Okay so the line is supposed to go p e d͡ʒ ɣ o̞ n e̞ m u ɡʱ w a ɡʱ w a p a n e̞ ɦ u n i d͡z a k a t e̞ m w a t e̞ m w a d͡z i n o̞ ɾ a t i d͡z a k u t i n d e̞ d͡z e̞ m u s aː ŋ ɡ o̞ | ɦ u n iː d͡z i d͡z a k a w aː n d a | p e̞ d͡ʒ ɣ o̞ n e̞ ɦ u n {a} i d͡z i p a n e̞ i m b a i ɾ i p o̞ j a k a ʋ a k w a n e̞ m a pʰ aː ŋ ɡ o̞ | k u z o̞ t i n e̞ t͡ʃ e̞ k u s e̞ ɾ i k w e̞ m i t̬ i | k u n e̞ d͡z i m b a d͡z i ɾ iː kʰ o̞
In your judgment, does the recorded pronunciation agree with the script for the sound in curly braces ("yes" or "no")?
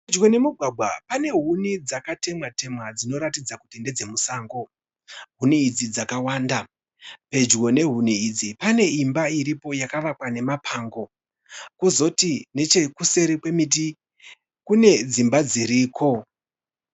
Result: no